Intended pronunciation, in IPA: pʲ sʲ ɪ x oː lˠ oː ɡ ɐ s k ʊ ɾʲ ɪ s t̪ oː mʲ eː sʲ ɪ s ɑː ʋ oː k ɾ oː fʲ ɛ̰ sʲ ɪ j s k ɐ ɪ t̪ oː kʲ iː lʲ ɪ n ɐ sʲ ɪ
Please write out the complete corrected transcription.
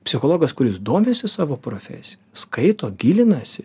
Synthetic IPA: pʲ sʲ ɪ x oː lˠ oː ɡ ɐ s k ʊ ɾʲ ɪ s d̪ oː mʲ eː sʲ ɪ s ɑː ʋ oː p ɾ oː fʲ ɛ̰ sʲ ɪ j s k ɐ ɪ t̪ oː ɡʲ iː lʲ ɪ n ɐ sʲ ɪ